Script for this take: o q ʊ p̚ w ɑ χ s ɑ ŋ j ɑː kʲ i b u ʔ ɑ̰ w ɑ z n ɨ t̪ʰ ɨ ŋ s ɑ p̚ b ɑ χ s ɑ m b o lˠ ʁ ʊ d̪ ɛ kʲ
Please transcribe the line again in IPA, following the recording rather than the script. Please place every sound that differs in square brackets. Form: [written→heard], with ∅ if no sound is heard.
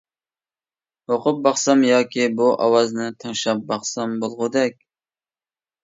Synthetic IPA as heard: o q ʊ p̚ [w→b] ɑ χ s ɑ [ŋ→m] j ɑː kʲ i b u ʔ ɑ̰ w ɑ z n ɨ t̪ʰ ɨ ŋ [s→ʃ] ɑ p̚ b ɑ χ s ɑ m b o lˠ ʁ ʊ d̪ ɛ kʲ